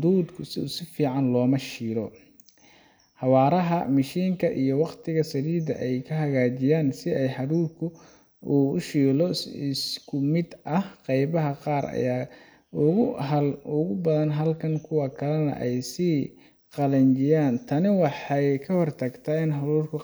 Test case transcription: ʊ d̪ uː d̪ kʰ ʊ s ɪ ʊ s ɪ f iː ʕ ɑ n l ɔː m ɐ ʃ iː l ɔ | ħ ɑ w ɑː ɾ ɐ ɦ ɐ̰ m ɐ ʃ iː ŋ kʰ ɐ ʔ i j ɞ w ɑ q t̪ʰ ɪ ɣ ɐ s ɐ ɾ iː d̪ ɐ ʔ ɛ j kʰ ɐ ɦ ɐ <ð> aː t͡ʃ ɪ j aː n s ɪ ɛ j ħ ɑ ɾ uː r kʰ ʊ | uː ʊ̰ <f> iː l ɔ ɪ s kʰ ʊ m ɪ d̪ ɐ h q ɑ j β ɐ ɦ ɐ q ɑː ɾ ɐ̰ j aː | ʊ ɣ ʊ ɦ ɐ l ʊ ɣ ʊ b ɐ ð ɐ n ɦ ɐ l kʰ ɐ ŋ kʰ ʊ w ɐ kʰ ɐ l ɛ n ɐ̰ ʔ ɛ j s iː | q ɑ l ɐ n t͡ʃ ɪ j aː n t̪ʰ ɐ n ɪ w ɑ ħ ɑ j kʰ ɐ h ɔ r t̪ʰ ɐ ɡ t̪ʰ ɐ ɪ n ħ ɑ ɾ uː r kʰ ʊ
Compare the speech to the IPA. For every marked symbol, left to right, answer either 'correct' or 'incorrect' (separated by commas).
incorrect, incorrect